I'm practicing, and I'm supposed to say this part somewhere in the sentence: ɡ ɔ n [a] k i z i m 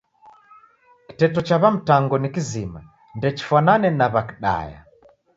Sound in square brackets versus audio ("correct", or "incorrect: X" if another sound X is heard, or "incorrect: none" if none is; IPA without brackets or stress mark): incorrect: i